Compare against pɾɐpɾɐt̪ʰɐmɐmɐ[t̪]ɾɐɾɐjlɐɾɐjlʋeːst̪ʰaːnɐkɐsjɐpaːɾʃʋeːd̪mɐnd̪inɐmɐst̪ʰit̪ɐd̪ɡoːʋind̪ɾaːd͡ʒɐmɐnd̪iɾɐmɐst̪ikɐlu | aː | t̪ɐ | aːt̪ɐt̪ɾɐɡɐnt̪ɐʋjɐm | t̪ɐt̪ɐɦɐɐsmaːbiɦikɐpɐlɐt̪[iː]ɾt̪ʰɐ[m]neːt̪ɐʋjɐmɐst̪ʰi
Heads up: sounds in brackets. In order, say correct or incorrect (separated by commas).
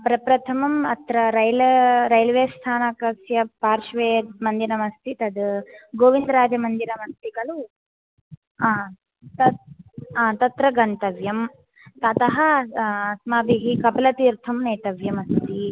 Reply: correct, correct, correct